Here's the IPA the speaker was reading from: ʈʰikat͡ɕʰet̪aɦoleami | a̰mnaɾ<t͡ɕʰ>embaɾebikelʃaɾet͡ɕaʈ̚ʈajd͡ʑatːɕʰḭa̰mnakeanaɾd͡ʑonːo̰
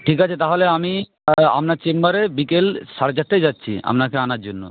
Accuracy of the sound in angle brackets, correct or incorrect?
incorrect